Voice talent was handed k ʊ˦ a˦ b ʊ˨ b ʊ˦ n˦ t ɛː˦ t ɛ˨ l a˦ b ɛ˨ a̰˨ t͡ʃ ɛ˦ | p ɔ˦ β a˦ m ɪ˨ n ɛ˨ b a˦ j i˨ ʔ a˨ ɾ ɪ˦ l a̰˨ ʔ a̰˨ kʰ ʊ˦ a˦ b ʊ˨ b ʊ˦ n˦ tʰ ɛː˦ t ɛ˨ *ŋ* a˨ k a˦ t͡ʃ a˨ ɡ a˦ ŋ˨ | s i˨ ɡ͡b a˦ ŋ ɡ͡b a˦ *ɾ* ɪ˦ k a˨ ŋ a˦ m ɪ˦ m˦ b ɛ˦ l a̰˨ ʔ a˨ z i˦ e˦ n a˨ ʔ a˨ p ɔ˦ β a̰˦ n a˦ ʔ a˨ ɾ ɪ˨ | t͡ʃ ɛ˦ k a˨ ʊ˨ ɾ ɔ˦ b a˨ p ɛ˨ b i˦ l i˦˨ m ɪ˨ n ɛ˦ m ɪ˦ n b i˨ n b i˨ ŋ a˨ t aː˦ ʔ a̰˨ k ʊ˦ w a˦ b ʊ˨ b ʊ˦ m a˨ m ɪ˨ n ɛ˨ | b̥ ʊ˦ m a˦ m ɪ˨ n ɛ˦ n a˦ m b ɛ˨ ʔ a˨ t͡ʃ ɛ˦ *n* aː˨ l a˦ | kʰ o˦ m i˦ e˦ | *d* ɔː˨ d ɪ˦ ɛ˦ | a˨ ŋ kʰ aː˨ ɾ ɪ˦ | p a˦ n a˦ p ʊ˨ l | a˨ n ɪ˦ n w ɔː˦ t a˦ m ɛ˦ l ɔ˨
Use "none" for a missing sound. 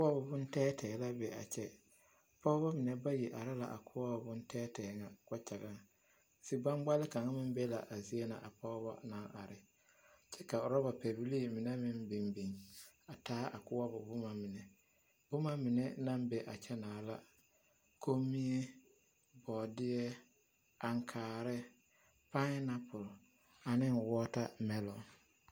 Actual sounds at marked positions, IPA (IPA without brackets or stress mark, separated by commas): ŋ, l, n, b